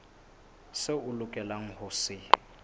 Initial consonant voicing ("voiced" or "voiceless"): voiceless